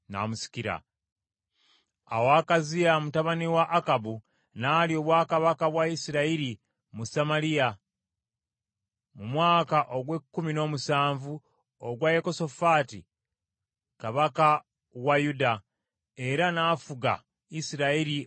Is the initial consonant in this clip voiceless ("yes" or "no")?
no